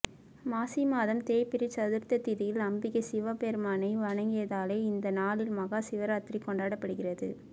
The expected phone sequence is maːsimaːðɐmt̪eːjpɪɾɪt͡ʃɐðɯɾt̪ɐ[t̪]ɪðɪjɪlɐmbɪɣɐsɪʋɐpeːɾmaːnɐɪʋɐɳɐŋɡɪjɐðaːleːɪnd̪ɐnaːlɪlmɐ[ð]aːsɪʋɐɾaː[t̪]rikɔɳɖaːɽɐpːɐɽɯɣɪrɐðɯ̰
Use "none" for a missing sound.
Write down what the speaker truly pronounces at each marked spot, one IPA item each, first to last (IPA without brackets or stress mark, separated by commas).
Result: t̪, ɣ, t̪